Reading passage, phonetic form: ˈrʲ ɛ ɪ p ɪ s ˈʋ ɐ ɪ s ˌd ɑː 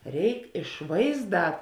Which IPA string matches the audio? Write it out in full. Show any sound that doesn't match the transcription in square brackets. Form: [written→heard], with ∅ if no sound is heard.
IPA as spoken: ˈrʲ ɛ ɪ [p→k] ɪ [s→ʃ] ˈʋ ɐ ɪ [s→z] ˌd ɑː